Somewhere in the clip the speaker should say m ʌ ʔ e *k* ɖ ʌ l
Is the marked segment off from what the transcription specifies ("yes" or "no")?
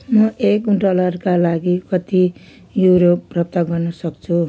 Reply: no